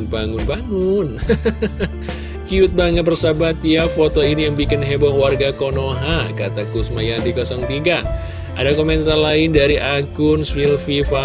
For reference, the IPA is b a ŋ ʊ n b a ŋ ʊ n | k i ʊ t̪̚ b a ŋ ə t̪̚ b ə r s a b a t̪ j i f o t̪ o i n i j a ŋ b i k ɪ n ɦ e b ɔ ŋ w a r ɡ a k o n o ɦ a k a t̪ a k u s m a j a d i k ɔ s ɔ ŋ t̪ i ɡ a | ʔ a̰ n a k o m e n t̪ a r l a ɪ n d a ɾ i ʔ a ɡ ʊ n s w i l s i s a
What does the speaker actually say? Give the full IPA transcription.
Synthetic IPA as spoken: b a ŋ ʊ n b a ŋ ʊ n | k i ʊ t̪̚ b a ŋ ə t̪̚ b ə r s a b a t̪ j a f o t̪ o i n i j a ŋ b i k ɪ n ɦ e b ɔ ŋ w a r ɡ a k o n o ɦ a k a t̪ a k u s m a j a d i k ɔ s ɔ ŋ t̪ i ɡ a | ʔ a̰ d a k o m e n t̪ a r l a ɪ n d a ɾ i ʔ a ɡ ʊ n s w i l f i f a